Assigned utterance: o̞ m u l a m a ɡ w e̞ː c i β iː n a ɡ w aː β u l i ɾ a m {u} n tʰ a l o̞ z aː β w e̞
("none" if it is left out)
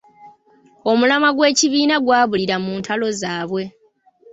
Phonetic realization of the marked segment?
uː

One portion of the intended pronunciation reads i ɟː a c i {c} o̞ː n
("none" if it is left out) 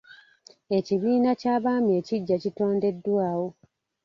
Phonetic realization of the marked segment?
t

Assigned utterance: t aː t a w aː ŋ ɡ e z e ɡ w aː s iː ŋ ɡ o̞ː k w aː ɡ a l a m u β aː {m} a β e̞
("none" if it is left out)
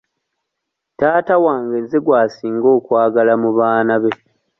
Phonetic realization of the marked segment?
n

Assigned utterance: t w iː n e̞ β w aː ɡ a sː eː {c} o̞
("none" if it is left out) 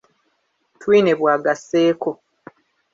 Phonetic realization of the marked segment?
k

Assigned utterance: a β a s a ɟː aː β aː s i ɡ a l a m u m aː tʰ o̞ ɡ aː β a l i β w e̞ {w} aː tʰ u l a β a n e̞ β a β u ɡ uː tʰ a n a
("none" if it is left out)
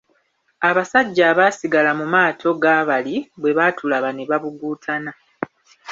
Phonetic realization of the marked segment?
β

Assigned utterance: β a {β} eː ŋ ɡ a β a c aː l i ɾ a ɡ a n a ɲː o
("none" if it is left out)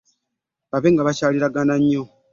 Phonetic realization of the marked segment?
β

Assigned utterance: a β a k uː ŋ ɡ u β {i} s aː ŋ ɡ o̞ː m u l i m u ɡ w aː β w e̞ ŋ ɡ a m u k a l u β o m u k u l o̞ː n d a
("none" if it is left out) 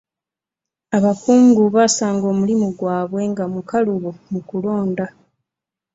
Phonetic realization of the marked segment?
a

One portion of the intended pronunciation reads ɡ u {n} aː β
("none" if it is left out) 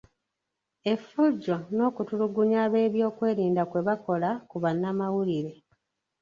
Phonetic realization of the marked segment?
ɲ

